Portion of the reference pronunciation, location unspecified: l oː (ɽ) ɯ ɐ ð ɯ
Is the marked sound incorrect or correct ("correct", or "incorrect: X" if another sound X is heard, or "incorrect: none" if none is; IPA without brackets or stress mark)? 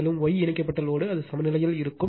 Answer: correct